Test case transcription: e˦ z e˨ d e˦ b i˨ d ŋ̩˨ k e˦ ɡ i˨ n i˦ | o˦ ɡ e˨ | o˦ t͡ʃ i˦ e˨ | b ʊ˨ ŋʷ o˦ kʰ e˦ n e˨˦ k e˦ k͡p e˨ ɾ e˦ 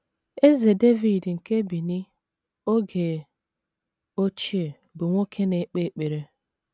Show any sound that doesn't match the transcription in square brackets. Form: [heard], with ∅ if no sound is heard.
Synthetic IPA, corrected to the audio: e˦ z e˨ d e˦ [v] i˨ d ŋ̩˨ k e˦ [b] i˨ n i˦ | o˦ ɡ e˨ | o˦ t͡ʃ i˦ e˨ | b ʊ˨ ŋʷ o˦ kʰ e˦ n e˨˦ [k͡p] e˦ k͡p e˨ ɾ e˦

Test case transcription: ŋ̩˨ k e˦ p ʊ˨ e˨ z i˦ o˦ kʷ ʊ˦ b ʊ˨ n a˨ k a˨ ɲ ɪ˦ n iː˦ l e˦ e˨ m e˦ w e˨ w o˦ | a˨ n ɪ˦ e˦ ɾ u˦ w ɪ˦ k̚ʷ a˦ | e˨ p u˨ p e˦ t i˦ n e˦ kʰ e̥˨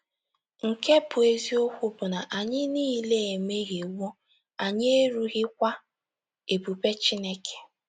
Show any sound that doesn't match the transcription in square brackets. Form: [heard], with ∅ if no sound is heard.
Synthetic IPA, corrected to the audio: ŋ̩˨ k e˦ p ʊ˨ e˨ z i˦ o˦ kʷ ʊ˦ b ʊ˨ n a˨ [ʔ] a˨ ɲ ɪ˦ n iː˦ l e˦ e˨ m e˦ [ɣ] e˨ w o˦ | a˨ [ɲ] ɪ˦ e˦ ɾ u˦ [ɣ] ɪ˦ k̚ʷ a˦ | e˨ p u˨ p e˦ [t͡ʃ] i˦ n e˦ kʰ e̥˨

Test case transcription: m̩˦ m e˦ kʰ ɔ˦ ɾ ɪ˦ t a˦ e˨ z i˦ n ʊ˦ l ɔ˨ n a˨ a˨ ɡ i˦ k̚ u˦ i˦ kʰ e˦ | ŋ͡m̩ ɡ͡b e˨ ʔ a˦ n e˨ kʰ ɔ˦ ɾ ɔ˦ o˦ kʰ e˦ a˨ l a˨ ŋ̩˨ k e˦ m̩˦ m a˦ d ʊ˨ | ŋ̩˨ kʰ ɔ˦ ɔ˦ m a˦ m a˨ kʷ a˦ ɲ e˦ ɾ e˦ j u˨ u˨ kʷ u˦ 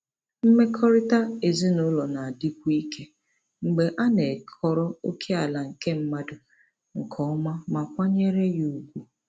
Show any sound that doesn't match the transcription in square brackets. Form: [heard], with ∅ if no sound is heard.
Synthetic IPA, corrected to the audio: m̩˦ m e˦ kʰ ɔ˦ ɾ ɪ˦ t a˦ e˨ z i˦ n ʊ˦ l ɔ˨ n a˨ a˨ [d] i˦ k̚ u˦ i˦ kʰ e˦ | ŋ͡m̩ ɡ͡b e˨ ʔ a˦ n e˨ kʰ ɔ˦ ɾ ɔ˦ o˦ kʰ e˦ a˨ l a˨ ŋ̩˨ k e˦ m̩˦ m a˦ d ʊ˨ | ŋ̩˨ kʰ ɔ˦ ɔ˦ m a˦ m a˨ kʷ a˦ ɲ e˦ ɾ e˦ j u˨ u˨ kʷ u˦

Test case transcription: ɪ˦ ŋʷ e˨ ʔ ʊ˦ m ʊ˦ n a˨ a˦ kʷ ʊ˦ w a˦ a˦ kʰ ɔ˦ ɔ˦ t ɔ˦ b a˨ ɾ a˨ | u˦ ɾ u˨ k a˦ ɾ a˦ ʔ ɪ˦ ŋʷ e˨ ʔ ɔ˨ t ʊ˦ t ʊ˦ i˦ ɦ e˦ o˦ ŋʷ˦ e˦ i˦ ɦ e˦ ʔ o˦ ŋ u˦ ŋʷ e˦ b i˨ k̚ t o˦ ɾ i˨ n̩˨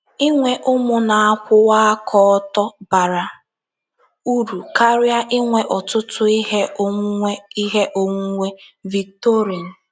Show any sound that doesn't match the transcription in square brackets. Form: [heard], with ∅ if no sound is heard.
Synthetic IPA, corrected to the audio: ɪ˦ ŋʷ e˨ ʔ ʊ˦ m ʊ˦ n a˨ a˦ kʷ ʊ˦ w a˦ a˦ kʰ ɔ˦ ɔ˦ t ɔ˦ b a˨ ɾ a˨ | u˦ ɾ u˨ k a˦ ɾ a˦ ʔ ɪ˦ ŋʷ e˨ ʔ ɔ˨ t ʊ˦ t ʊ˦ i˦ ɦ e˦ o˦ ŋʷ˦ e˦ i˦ ɦ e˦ ʔ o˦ ŋ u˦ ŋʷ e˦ [v] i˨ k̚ t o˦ ɾ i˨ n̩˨

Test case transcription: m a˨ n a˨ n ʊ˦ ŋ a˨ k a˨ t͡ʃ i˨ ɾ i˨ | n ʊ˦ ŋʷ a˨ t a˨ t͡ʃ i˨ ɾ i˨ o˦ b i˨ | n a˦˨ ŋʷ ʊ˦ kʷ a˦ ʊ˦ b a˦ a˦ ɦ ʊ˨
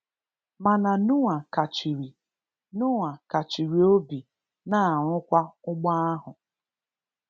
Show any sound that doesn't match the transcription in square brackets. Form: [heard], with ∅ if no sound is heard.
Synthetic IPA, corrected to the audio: m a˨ n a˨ n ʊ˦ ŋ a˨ k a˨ t͡ʃ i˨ ɾ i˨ | n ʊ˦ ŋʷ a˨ [k] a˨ t͡ʃ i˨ ɾ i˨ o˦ b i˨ | n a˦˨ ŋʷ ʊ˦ kʷ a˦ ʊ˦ [ɡ͡b] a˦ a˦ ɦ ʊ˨

